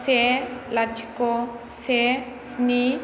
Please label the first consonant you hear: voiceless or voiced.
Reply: voiceless